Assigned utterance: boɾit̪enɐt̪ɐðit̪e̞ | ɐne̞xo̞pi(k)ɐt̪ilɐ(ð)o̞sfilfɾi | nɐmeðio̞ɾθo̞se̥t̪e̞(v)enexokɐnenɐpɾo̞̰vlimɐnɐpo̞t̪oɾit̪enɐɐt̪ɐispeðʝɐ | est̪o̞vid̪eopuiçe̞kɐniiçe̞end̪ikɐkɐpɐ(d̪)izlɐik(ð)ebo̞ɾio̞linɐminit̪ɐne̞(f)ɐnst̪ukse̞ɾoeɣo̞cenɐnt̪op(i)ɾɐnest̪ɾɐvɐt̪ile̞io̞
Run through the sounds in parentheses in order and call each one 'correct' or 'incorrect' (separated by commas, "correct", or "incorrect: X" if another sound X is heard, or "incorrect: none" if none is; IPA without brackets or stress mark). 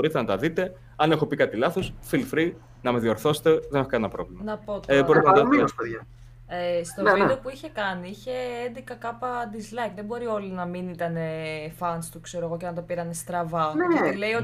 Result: correct, incorrect: θ, incorrect: ð, correct, correct, correct, correct